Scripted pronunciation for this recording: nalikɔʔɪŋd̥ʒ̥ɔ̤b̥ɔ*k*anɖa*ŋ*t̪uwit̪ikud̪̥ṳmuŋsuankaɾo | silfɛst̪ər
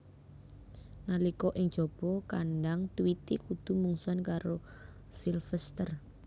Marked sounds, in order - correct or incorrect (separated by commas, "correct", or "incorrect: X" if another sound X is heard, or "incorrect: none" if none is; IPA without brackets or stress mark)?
correct, correct